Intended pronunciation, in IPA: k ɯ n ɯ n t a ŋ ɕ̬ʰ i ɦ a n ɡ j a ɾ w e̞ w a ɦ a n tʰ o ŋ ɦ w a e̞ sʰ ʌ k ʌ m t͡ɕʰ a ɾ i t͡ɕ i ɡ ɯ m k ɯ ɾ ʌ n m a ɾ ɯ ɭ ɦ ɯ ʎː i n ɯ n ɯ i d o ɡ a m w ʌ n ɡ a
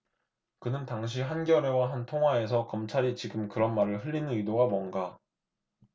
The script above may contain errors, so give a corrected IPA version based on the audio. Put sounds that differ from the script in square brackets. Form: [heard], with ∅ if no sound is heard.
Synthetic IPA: k ɯ n ɯ n t a ŋ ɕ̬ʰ i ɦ a n ɡ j [ʌ] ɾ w e̞ w a ɦ a n tʰ o ŋ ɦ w a e̞ sʰ ʌ k ʌ m t͡ɕʰ a ɾ i t͡ɕ i ɡ ɯ m k ɯ ɾ ʌ n m a ɾ ɯ ɭ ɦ ɯ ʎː i n ɯ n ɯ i d o ɡ a m w ʌ n ɡ a